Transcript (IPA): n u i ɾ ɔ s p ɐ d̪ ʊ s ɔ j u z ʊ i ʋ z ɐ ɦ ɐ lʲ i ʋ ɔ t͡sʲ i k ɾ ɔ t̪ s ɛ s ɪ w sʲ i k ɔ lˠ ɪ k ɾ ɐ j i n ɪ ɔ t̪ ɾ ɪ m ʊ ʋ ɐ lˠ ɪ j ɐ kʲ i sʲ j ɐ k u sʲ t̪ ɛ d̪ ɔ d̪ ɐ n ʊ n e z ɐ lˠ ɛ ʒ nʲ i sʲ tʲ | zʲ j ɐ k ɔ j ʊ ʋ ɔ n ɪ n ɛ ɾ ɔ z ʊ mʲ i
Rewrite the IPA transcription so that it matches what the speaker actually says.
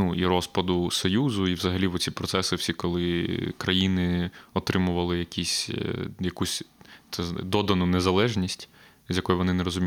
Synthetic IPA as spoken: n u i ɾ ɔ s p ɐ d̪ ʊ s ɔ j u z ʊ i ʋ z ɐ ɦ ɐ lʲ i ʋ ɔ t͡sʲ i p ɾ ɔ t̪ s ɛ s ɪ w sʲ i k ɔ lˠ ɪ k ɾ ɐ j i n ɪ ɔ t̪ ɾ ɪ m ʊ ʋ ɐ lˠ ɪ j ɐ kʲ i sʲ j ɐ k u sʲ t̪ ɛ d̪ ɔ d̪ ɐ n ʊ n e z ɐ lˠ ɛ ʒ nʲ i sʲ tʲ | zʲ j ɐ k ɔ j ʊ ʋ ɔ n ɪ n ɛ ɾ ɔ z ʊ mʲ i